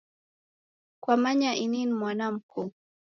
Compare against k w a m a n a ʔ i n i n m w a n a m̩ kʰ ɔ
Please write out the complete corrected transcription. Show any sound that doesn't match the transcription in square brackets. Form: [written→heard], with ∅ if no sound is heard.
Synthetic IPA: k w a m a [n→ɲ] a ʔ i n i n m w a n a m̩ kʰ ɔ